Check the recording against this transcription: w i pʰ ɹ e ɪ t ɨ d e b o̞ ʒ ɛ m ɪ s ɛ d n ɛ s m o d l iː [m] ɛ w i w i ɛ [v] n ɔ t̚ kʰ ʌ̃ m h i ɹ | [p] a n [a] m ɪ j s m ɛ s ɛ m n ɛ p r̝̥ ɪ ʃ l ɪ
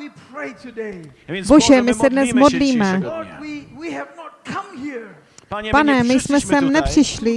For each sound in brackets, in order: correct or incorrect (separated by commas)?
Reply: correct, correct, correct, incorrect